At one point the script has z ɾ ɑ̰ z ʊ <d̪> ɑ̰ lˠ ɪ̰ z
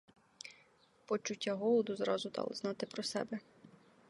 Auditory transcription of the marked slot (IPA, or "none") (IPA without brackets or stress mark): d̪